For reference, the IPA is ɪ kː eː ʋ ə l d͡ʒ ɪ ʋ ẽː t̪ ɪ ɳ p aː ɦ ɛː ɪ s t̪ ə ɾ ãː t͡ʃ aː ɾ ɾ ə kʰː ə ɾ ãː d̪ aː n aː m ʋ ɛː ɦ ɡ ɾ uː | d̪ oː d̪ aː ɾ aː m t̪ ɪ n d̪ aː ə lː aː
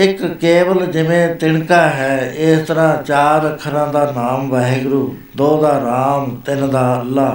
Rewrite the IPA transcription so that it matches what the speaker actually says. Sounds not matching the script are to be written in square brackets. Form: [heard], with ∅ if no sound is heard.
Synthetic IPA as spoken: ɪ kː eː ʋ ə l d͡ʒ ɪ ʋ ẽː t̪ ɪ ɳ [k] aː ɦ ɛː ɪ s t̪ ə ɾ ãː t͡ʃ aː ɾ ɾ ə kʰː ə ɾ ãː d̪ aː n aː m ʋ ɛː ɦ ɡ ɾ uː | d̪ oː d̪ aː ɾ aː m t̪ ɪ n d̪ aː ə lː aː